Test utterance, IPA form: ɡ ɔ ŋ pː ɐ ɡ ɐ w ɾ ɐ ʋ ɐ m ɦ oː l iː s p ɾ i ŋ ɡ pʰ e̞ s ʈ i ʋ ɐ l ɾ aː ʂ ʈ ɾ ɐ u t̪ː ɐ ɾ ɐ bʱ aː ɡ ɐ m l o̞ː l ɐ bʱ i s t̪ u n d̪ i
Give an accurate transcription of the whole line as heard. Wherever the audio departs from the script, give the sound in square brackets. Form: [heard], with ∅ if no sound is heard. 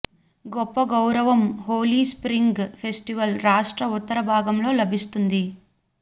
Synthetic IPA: ɡ ɔ [∅] pː ɐ ɡ ɐ w ɾ ɐ ʋ ɐ m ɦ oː l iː s p ɾ i ŋ ɡ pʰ e̞ s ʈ i ʋ ɐ l ɾ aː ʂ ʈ ɾ ɐ u t̪ː ɐ ɾ ɐ bʱ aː ɡ ɐ m l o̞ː l ɐ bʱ i s t̪ u n d̪ i